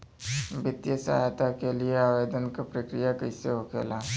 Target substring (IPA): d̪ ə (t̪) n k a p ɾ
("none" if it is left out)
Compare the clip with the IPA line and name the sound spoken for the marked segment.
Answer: none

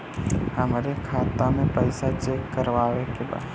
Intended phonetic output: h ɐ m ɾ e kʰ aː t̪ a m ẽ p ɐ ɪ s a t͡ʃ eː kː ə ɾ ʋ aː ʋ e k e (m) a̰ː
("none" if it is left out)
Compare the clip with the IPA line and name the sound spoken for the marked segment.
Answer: b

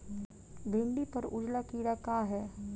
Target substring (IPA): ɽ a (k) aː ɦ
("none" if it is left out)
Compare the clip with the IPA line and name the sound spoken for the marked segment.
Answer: k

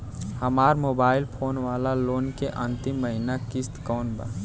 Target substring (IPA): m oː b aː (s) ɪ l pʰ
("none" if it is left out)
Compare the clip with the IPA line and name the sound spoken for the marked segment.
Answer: none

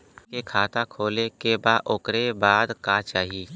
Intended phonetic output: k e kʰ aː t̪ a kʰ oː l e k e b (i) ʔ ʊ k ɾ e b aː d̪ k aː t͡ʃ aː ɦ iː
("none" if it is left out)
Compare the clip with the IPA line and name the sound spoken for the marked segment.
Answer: a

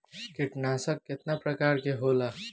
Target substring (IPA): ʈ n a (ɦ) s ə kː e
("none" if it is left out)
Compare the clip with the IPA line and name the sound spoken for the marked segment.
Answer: none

